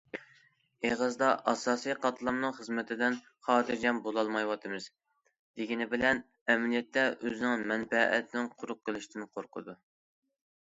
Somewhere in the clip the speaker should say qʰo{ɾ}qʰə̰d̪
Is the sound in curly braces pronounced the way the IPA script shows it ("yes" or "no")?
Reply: yes